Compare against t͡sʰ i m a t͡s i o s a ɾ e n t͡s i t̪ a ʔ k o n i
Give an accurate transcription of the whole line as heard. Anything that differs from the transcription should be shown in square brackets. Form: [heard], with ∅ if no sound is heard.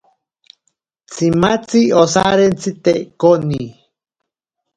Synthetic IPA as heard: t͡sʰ i m a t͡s i o s a ɾ e n t͡s i t̪ [e] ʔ k o n i